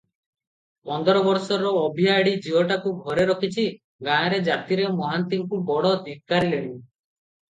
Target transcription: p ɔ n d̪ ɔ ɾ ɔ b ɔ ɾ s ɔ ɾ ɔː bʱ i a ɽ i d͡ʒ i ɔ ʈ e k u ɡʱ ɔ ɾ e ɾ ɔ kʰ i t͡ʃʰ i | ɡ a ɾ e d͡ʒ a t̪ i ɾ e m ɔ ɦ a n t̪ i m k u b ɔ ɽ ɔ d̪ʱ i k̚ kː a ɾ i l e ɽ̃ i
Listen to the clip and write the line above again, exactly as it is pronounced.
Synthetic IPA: p ɔ n d̪ ɔ ɾ ɔ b ɔ ɾ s ɔ ɾ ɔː bʱ i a ɽ i d͡ʒ i ɔ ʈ a k u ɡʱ ɔ ɾ e ɾ ɔ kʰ i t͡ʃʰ i | ɡ a ɾ e d͡ʒ a t̪ i ɾ e m ɔ ɦ a n t̪ i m k u b ɔ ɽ ɔ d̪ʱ i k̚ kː a ɾ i l e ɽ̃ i